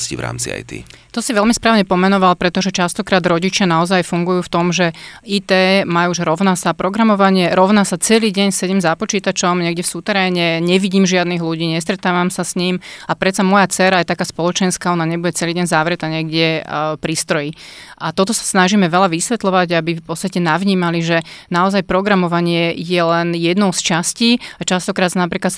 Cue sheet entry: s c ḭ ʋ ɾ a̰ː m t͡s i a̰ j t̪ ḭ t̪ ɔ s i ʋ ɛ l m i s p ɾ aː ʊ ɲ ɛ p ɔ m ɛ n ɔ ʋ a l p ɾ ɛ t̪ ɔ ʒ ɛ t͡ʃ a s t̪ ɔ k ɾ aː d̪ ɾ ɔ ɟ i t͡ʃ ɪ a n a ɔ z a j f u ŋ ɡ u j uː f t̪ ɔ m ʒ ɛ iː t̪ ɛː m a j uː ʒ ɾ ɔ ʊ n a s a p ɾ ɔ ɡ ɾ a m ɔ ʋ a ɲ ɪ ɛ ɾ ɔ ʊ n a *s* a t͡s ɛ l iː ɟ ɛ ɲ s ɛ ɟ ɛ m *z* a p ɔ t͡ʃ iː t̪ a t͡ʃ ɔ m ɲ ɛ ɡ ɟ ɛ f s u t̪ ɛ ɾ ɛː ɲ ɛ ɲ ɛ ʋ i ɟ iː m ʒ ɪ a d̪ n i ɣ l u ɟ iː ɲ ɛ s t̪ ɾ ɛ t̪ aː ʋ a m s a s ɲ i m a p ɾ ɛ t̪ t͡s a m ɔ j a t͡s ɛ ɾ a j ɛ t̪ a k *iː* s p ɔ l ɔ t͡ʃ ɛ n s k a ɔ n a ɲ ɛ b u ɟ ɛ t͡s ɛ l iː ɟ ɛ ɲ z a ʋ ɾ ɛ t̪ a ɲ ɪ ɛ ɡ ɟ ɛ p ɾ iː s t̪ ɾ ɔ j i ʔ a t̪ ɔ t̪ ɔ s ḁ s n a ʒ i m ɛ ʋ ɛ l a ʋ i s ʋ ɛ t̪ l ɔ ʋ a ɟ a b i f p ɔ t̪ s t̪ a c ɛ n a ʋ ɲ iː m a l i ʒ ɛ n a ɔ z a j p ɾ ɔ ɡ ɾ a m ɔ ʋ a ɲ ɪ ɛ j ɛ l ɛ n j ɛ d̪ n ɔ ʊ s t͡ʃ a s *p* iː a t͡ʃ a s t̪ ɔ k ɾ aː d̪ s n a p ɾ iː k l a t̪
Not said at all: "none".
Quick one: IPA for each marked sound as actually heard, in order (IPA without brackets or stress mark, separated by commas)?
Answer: s, z, aː, c